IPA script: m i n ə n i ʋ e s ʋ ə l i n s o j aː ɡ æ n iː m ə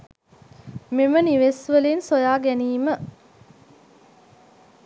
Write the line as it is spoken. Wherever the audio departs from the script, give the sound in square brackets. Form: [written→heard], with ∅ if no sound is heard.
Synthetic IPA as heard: m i [n→m] ə n i ʋ e s ʋ ə l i n s o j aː ɡ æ n iː m ə